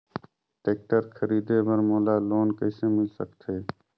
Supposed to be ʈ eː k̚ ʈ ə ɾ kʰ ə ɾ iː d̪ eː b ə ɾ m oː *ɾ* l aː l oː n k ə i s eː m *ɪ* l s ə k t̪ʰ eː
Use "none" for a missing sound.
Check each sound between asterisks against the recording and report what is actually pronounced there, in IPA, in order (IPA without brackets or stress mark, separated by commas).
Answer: none, ɪ